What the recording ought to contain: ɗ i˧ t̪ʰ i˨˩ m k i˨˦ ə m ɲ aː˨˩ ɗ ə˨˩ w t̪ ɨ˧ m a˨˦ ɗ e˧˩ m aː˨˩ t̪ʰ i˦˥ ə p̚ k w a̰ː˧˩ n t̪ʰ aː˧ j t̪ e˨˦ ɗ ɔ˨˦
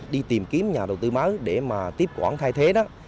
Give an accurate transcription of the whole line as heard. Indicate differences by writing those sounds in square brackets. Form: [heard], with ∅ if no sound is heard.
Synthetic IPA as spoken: ɗ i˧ [t̪] i˨˩ m k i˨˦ ə m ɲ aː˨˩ ɗ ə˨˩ w t̪ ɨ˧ m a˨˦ ɗ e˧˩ m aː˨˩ [t̪] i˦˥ ə p̚ k w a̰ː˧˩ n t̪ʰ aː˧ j [t̪ʰ] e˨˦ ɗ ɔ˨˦